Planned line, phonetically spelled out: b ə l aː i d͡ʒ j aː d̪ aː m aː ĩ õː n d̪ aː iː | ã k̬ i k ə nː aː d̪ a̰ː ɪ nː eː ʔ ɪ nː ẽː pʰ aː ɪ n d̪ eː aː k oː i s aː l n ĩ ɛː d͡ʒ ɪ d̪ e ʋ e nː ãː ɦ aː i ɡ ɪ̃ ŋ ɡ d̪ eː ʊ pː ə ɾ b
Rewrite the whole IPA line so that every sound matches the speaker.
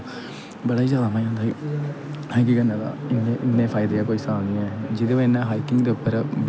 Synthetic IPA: b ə ɽ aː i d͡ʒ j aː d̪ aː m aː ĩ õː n d̪ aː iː | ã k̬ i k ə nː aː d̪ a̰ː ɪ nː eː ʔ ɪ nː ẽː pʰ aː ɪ d̪ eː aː k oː i s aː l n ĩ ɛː d͡ʒ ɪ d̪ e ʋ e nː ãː ɦ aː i k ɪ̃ ŋ ɡ d̪ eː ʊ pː ə ɾ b